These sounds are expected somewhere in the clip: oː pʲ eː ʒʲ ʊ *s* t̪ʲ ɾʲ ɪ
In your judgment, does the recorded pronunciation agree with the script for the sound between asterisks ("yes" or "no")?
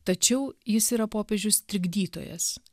yes